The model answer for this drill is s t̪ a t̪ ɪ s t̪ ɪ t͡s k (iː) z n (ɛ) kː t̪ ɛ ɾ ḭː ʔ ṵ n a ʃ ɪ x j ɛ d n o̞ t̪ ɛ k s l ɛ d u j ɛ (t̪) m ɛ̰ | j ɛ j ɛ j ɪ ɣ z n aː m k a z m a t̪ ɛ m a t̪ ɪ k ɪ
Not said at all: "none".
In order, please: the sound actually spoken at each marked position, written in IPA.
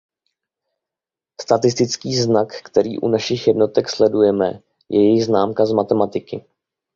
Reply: iː, a, none

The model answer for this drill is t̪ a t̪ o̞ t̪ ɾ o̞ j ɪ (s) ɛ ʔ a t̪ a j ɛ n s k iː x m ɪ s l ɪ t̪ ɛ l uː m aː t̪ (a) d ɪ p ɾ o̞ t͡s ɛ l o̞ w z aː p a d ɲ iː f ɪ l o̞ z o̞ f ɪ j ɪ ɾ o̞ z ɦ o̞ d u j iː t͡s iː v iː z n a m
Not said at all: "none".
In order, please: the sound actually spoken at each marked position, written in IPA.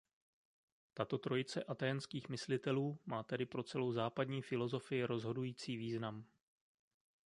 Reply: t͡s, ɛ

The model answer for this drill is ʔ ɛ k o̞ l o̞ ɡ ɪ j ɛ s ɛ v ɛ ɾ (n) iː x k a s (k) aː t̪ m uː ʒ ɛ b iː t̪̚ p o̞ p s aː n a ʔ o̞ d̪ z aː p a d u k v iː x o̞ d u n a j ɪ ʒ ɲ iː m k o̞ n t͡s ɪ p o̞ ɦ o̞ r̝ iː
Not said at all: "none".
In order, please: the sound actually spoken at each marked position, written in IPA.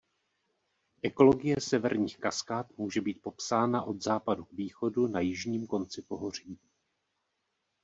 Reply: ɲ, k

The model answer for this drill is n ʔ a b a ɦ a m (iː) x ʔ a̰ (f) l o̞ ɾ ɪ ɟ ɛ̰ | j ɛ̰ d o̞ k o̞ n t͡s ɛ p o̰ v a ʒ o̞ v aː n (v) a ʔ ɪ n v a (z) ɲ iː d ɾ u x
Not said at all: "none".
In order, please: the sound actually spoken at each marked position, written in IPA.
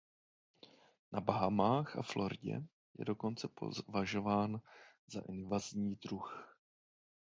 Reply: aː, f, z, z

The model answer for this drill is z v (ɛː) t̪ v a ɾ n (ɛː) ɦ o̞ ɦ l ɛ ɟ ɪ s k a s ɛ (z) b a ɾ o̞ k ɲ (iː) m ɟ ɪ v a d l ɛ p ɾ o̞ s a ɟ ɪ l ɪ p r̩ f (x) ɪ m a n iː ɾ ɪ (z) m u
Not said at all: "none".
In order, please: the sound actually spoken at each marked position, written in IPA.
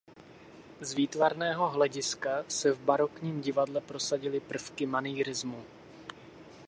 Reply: iː, ɛː, v, iː, k, z

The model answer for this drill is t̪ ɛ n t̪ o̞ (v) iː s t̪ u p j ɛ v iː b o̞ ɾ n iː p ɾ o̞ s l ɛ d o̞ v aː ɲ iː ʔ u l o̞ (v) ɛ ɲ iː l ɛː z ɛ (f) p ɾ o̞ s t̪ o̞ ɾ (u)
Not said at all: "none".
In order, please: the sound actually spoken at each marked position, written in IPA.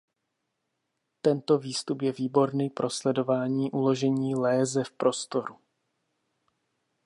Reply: v, ʒ, f, u

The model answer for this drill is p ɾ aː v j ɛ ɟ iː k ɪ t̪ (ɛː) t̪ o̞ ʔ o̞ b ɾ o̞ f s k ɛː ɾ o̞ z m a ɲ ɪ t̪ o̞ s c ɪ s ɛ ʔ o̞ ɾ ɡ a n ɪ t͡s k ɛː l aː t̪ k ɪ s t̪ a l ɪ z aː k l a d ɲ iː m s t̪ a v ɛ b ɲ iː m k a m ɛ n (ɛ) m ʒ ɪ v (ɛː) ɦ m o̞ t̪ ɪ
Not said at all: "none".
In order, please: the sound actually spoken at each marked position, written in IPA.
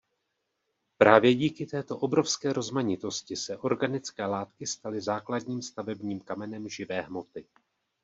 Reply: ɛː, ɛ, ɛː

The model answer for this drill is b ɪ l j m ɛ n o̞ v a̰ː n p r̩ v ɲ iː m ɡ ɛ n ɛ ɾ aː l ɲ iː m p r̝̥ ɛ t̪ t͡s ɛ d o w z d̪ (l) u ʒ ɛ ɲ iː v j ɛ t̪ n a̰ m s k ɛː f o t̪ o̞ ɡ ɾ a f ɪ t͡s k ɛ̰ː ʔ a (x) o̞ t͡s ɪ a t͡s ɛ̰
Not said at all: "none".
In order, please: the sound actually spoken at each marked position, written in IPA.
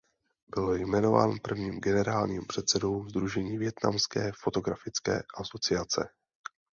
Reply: ɾ, s

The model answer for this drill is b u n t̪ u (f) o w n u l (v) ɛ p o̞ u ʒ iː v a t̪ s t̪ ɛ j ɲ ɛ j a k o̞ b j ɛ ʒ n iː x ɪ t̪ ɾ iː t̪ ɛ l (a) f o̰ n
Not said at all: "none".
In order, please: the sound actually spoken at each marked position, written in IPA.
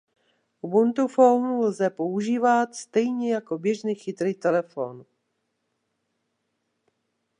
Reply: f, z, ɛ

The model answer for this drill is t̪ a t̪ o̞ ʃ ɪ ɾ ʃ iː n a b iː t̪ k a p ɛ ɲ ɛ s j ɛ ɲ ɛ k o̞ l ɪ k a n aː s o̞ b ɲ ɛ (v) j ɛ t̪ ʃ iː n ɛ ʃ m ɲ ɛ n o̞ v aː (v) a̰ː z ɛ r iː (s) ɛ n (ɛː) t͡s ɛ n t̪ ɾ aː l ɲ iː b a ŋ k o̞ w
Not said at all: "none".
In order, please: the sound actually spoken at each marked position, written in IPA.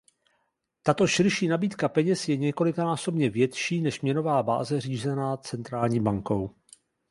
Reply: v, b, z, aː

